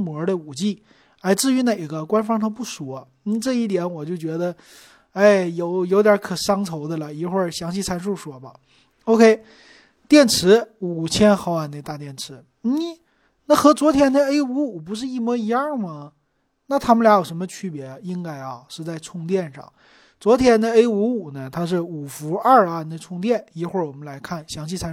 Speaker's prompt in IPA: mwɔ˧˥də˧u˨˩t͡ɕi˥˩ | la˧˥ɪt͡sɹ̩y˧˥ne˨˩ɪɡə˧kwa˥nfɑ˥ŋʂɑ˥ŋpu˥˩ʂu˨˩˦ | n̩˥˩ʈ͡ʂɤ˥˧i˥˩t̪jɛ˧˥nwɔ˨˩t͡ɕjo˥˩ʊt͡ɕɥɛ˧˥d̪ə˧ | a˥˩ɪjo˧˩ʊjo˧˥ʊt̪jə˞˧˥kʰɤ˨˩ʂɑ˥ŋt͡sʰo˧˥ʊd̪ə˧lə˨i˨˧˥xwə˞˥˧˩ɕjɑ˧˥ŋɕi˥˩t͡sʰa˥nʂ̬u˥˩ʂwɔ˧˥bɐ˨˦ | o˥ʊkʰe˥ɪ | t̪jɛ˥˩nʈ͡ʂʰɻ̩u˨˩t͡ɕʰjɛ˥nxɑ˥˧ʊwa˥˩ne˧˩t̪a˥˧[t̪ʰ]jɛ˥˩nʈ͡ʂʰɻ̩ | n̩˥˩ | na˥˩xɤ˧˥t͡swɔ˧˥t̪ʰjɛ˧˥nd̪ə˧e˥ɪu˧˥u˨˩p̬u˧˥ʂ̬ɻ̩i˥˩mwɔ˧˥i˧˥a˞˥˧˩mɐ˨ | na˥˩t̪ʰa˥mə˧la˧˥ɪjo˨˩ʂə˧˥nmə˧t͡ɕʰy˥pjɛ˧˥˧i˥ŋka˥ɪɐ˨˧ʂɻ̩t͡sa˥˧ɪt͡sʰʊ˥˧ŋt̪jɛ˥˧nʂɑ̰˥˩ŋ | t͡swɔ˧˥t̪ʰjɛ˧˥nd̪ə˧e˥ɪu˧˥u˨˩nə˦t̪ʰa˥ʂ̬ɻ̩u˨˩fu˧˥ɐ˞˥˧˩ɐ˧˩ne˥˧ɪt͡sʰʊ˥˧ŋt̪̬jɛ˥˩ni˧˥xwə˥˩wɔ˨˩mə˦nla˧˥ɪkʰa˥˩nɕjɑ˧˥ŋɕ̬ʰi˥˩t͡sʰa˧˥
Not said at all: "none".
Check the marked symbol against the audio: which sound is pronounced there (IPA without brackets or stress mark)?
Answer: t̪